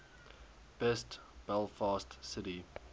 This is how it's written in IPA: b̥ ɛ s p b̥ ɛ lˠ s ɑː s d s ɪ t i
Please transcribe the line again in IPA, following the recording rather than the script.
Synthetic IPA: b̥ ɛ s t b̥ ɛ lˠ f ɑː s t s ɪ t i